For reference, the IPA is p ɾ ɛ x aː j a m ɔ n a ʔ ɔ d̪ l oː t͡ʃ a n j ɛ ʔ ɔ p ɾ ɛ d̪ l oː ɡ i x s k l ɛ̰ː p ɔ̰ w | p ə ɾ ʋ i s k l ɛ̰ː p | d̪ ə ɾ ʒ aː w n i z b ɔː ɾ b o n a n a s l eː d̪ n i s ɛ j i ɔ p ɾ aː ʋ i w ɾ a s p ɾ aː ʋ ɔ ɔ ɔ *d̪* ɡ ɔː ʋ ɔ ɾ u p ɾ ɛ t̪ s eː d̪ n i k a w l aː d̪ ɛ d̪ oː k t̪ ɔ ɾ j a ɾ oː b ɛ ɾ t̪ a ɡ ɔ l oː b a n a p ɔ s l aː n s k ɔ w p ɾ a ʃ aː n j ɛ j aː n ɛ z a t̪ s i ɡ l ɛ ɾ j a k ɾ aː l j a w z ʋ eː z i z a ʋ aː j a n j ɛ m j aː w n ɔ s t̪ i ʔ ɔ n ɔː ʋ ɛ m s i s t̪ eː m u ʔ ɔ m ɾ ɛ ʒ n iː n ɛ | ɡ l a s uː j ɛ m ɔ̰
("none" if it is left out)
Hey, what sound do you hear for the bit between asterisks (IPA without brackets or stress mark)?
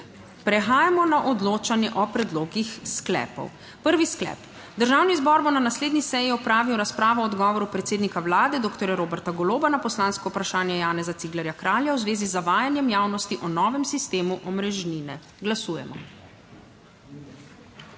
d̪